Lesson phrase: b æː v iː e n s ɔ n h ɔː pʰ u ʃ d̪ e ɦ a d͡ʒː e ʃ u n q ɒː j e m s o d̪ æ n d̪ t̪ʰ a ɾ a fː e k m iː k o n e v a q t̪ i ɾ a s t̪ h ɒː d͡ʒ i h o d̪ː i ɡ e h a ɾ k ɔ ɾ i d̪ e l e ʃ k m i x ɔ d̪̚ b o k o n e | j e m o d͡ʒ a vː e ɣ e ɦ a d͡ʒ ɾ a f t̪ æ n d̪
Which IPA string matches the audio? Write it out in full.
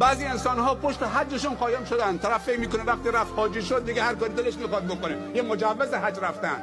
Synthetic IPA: b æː z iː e n s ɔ n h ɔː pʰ o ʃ t̪ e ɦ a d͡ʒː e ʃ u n q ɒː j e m ʃ o d̪ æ n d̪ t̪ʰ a ɾ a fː e k m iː k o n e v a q t̪ i ɾ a f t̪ h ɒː d͡ʒ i ʃ o d̪ː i ɡ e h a ɾ k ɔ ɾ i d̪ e l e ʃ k m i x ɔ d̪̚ b o k o n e | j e m o d͡ʒ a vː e z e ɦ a d͡ʒ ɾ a f t̪ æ n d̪